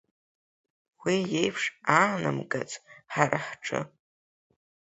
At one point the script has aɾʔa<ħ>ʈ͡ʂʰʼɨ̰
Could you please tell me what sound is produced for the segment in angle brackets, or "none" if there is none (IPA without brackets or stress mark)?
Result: ħ